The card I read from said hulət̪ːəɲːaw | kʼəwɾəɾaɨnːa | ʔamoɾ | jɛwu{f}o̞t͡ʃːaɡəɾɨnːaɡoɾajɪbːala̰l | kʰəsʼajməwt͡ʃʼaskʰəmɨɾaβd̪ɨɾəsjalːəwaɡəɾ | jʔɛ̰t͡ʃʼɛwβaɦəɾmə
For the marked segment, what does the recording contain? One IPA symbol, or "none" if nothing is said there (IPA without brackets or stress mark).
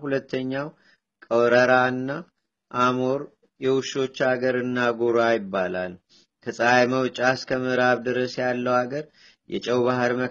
ʃ